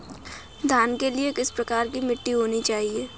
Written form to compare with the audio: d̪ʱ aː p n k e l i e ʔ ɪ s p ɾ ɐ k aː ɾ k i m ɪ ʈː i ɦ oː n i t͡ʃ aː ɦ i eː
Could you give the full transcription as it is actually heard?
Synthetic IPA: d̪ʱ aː n k e l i e k ɪ s p ɾ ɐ k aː ɾ k i m ɪ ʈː i ɦ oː n i t͡ʃ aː ɦ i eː